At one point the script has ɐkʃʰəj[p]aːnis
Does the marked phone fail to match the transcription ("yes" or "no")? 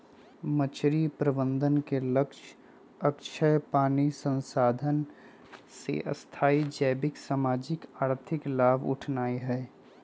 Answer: no